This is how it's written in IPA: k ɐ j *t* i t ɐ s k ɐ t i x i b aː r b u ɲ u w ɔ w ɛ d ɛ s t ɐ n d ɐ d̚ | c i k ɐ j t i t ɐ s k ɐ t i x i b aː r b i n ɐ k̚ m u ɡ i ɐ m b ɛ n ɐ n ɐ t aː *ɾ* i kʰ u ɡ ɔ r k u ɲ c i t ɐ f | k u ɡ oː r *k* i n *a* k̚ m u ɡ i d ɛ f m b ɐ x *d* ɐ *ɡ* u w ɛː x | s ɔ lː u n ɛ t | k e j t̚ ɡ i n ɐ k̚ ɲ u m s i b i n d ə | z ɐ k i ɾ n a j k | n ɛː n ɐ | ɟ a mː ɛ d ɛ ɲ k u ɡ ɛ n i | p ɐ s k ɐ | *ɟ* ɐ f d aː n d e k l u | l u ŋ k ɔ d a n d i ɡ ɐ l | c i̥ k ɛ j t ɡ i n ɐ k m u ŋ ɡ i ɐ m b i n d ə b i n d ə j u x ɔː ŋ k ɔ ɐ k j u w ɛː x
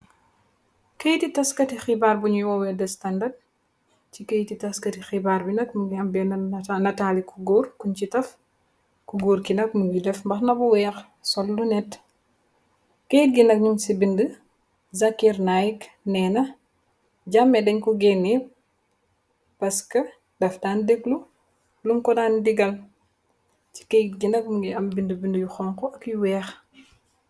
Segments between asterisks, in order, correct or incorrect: correct, incorrect: l, correct, incorrect: ɐ, incorrect: n, incorrect: b, incorrect: d

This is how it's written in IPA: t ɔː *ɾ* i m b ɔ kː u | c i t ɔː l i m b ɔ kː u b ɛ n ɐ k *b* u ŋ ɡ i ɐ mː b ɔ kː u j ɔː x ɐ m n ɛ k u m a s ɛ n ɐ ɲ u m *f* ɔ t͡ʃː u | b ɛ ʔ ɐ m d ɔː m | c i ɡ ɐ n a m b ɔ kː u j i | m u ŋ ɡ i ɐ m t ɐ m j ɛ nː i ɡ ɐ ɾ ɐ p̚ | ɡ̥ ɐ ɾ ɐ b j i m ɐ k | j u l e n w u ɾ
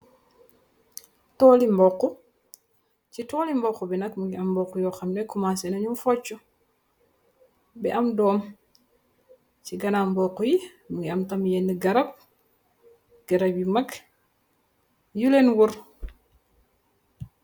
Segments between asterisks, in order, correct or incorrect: incorrect: l, incorrect: m, correct

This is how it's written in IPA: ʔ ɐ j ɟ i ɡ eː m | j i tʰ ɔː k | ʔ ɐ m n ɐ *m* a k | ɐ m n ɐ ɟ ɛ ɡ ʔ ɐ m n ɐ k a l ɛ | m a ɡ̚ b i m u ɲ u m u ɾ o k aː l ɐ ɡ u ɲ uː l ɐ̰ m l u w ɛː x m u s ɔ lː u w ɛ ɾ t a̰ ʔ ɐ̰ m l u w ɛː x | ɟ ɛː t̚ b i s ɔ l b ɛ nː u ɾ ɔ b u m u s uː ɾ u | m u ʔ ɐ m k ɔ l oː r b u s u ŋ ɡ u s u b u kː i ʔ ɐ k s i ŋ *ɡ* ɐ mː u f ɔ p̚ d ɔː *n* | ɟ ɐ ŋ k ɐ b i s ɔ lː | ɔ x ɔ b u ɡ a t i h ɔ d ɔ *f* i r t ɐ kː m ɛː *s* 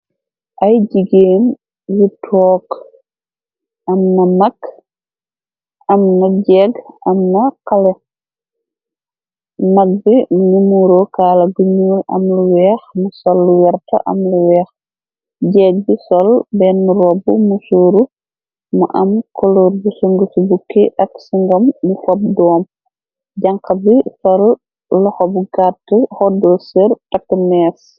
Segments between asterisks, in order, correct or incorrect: correct, correct, incorrect: m, incorrect: s, correct

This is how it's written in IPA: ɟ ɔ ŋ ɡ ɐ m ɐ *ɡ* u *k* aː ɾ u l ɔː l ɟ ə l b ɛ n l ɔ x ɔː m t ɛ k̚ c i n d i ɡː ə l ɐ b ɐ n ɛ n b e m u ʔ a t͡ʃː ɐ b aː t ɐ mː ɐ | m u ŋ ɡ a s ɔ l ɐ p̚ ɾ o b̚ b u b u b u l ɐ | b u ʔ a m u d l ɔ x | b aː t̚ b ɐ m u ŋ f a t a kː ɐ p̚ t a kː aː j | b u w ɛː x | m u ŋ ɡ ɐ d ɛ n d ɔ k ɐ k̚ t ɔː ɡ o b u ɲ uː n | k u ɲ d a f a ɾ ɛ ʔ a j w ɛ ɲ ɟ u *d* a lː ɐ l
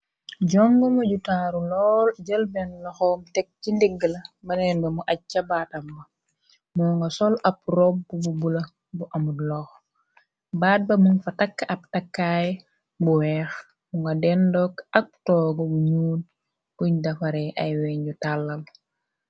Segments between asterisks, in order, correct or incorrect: incorrect: ɟ, incorrect: t, incorrect: t

